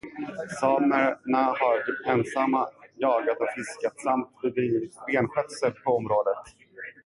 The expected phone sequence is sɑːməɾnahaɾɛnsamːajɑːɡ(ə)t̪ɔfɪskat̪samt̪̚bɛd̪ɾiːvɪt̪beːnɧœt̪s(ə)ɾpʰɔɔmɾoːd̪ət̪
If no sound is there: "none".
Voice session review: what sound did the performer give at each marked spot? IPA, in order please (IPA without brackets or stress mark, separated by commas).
a, ə